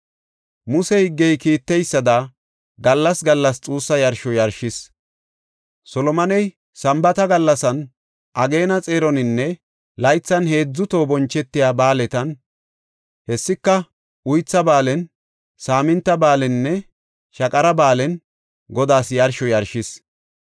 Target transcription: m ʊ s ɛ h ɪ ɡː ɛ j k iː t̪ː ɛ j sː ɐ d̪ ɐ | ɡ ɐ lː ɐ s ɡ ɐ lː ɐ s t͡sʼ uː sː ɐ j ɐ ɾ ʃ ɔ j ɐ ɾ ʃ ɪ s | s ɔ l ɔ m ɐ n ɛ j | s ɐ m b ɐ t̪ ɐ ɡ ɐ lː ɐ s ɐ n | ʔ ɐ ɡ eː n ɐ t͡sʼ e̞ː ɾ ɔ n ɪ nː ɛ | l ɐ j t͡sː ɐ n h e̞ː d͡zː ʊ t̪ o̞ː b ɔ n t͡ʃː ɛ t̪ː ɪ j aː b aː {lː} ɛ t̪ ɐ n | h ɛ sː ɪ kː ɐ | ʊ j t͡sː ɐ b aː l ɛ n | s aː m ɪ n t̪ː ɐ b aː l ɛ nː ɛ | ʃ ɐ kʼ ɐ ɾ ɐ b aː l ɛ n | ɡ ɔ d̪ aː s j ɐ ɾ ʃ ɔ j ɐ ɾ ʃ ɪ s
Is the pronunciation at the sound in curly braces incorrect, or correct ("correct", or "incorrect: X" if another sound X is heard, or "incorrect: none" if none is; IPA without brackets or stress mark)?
incorrect: l